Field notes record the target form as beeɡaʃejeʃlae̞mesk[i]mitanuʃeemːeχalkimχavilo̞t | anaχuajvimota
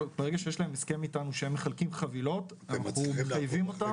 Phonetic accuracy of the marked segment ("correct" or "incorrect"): incorrect